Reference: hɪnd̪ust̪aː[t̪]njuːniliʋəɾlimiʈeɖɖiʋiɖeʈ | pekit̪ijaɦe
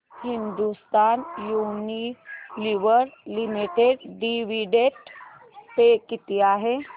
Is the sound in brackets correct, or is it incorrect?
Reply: incorrect